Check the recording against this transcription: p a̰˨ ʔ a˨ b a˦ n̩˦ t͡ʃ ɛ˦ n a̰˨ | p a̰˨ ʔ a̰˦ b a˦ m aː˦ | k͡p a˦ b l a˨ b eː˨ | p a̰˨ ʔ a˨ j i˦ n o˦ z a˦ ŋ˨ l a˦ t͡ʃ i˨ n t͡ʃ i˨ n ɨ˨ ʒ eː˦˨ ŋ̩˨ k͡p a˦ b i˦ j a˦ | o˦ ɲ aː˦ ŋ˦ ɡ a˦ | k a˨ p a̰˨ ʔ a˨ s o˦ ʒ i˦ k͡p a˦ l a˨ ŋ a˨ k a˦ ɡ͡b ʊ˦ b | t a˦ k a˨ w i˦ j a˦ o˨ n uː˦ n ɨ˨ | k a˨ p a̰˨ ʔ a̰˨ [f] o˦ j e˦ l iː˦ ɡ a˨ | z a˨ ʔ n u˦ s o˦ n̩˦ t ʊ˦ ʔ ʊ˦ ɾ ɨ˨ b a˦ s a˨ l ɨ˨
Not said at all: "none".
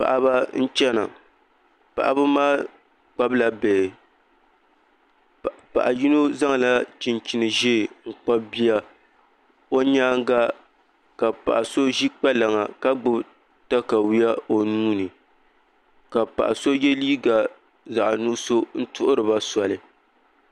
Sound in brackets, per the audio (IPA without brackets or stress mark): s